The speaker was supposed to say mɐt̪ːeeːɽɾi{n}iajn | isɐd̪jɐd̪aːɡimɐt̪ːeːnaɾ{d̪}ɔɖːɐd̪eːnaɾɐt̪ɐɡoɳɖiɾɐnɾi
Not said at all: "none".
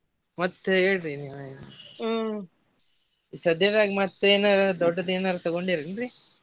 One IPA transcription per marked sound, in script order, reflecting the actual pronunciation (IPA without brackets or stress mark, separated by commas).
n, d̪